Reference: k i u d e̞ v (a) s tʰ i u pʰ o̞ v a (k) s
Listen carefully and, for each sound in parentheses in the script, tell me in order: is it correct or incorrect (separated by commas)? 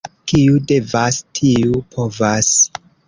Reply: correct, incorrect